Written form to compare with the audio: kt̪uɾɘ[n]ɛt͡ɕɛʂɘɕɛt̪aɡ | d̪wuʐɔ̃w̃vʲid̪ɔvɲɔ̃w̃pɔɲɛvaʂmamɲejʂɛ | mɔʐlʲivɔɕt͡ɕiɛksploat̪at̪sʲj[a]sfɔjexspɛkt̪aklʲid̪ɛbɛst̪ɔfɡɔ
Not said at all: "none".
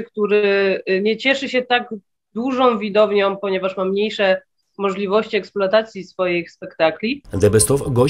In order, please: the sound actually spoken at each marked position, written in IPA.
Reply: ɲ, i

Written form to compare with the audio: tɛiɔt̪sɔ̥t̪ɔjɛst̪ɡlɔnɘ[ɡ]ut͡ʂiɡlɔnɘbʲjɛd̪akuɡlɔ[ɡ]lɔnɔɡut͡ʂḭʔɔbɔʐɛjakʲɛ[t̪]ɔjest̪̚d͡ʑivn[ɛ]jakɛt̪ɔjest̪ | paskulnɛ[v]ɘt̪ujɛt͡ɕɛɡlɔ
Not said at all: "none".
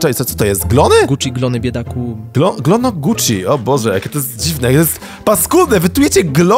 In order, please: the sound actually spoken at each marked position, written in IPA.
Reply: ɡ, ɡ, t̪, ɛ, v

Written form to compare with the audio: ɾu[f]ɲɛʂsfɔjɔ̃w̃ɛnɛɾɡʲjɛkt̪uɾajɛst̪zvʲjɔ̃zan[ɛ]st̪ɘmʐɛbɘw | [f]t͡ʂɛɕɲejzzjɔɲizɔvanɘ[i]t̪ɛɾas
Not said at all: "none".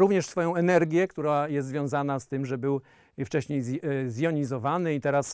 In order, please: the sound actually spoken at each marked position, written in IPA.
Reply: v, a, f, i

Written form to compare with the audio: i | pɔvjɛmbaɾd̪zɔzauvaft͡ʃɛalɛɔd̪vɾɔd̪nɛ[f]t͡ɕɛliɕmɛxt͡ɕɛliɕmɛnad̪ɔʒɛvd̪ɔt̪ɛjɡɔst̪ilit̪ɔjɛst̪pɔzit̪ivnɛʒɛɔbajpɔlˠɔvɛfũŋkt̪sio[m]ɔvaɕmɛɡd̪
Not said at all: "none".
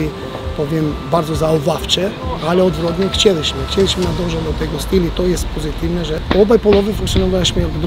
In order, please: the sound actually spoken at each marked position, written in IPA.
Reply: x, n

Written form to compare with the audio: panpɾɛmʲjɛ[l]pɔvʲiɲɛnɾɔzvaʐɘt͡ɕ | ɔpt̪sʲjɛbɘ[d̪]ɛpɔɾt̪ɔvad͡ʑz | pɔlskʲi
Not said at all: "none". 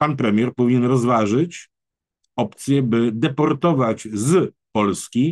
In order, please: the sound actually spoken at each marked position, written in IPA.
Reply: ɾ, d̪

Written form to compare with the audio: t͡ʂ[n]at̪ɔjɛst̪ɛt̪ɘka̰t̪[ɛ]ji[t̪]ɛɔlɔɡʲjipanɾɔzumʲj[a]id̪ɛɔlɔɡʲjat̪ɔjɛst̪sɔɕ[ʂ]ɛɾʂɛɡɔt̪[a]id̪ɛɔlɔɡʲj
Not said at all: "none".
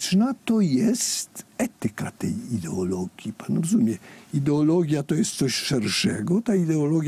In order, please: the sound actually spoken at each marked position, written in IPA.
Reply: n, ɛ, d̪, ɛ, ʂ, a

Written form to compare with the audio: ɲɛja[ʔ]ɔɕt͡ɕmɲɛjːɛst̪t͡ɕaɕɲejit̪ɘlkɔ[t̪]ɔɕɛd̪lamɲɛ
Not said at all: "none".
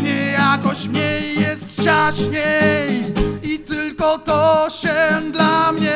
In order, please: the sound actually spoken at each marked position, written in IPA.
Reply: k, t̪

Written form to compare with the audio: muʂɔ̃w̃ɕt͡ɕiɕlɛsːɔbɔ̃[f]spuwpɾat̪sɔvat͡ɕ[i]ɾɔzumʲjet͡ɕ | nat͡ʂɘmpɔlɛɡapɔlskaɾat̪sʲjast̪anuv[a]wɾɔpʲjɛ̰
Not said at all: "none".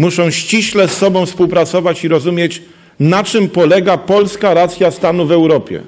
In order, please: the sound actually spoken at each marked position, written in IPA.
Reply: f, i, ɛ

